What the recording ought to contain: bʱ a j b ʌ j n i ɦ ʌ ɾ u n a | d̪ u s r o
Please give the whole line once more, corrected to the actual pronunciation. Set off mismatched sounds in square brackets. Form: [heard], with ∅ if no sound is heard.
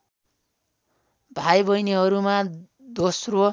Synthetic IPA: bʱ a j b ʌ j n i ɦ ʌ ɾ u [m] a | d̪ [o] s r o